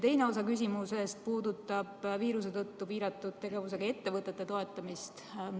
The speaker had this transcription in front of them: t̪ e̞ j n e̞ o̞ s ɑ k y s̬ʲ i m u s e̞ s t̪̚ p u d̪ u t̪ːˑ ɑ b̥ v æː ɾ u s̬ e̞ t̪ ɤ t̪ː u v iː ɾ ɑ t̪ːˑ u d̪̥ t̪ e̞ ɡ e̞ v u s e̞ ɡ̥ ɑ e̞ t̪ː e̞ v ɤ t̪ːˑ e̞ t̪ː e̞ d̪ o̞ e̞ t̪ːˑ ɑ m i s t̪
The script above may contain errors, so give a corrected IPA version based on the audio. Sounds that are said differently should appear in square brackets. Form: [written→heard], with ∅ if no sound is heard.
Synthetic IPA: t̪ e̞ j n e̞ o̞ s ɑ k y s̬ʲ i m u s e̞ s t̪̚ p [u→uː] d̪ u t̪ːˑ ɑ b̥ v [æː→iː] ɾ u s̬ e̞ t̪ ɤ t̪ː u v iː ɾ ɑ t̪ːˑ u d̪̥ t̪ e̞ ɡ e̞ v u s e̞ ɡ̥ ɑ e̞ t̪ː e̞ v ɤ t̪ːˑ e̞ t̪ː e̞ [d̪→t̪] o̞ e̞ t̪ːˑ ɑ m i s t̪